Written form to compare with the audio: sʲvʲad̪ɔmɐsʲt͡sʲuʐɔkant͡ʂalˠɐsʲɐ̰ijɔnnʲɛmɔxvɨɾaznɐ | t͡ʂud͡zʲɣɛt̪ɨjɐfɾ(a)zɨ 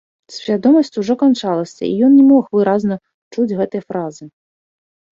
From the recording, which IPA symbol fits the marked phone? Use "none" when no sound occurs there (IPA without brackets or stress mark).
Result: a